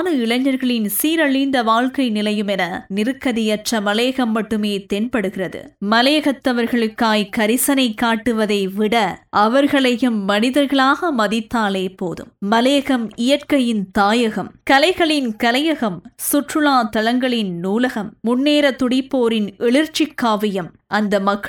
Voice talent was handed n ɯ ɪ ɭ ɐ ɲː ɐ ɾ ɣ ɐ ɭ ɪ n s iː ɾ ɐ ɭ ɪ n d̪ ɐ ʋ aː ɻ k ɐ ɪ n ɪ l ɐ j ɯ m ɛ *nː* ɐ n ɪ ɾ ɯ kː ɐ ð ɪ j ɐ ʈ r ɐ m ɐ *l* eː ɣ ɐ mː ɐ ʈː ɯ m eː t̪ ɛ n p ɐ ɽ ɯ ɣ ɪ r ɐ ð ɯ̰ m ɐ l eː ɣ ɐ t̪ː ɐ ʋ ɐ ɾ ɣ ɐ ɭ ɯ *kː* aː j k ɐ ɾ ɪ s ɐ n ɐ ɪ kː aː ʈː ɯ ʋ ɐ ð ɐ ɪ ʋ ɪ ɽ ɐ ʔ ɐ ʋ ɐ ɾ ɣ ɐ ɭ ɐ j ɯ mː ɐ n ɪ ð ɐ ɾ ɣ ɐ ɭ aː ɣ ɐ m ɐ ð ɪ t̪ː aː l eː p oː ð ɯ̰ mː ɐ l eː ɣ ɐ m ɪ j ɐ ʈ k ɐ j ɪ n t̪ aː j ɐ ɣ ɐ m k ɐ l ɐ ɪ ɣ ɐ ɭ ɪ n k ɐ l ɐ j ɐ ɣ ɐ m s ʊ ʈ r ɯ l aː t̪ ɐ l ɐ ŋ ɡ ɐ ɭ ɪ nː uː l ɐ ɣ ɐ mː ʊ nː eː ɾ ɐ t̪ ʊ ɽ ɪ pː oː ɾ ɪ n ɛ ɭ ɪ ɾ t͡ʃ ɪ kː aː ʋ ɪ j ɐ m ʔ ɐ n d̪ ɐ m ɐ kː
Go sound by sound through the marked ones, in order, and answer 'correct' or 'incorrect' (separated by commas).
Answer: incorrect, correct, correct